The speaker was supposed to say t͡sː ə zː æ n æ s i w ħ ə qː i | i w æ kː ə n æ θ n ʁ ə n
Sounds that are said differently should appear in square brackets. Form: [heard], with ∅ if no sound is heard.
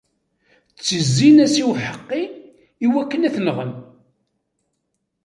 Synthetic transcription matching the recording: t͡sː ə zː [i] n æ s i w ħ ə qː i | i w æ kː ə n æ θ n ʁ ə n